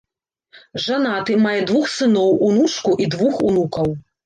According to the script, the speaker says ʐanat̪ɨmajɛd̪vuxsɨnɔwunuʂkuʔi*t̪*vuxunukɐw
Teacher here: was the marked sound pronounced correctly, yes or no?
no